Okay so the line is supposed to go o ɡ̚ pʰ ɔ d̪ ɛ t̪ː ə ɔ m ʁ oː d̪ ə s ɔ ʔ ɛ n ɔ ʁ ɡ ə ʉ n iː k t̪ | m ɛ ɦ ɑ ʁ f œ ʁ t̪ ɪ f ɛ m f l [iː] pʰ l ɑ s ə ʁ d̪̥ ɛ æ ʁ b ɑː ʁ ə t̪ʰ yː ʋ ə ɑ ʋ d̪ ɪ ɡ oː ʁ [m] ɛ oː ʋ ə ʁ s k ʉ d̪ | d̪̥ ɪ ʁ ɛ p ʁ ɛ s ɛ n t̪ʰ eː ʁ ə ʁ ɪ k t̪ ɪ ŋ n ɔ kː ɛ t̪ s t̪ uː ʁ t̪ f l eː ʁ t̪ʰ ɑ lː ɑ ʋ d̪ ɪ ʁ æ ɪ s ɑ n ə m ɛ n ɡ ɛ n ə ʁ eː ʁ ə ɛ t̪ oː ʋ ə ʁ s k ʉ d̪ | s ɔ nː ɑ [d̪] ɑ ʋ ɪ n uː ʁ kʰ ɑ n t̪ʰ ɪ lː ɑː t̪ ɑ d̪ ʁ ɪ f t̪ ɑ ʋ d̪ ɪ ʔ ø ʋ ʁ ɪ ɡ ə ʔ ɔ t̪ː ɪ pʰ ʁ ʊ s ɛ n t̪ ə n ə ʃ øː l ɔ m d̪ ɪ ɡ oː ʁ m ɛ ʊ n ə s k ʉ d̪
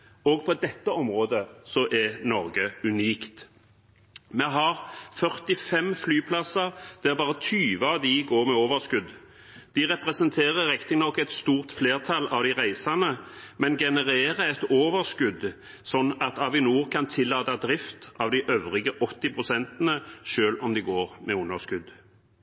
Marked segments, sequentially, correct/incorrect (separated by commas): incorrect, correct, incorrect